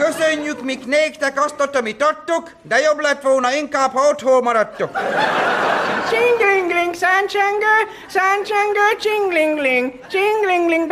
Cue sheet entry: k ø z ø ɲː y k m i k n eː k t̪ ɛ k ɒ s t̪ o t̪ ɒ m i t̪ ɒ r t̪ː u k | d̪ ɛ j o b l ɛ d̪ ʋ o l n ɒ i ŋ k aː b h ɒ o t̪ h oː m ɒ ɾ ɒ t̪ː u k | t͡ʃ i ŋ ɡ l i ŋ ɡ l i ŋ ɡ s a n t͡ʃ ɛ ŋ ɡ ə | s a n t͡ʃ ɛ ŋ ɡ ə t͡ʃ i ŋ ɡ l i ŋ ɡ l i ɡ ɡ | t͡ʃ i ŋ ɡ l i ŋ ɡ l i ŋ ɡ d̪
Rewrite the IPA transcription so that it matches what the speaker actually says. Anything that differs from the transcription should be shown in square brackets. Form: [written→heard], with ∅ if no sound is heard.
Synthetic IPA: k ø [z→s] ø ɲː y k m i k n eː k t̪ ɛ k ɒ s t̪ o t̪ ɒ m i t̪ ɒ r t̪ː u k | d̪ ɛ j o b l ɛ [d̪→t̪] ʋ o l n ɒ i ŋ k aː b h ɒ o t̪ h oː m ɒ ɾ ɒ t̪ː u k | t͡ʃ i ŋ ɡ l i ŋ ɡ l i ŋ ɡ s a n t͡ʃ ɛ ŋ ɡ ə | s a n t͡ʃ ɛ ŋ ɡ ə t͡ʃ i ŋ ɡ l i ŋ ɡ l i [ɡ→ŋ] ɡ | t͡ʃ i ŋ ɡ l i ŋ ɡ l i ŋ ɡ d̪